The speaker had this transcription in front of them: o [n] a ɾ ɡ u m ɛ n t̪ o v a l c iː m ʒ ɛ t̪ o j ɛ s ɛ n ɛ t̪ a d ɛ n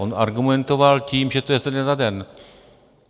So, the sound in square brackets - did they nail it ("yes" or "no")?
yes